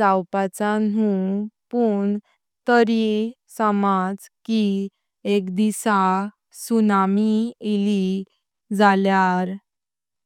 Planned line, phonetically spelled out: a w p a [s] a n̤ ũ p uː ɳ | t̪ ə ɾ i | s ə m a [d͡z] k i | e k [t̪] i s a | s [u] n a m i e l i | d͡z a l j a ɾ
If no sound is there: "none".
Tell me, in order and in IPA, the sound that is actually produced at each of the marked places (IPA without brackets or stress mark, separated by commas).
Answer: t͡s, d͡z, d̪, u